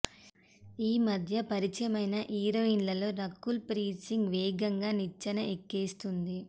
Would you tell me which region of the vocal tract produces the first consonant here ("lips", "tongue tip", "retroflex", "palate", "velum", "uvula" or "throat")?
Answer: lips